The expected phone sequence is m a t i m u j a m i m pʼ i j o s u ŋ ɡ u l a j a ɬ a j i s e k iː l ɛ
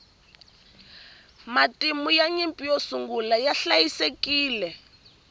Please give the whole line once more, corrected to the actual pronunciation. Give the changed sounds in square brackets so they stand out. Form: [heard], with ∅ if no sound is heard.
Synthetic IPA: m a t i m u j a [ɲ] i m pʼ i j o s u ŋ ɡ u l a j a ɬ a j i s e k iː l ɛ